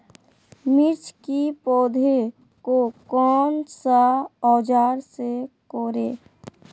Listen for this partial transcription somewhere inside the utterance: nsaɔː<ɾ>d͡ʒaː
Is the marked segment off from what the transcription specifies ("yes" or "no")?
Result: yes